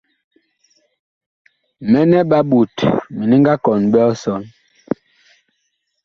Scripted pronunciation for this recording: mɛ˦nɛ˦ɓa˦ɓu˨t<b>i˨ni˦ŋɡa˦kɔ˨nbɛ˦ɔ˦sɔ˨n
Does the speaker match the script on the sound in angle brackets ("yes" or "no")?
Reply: no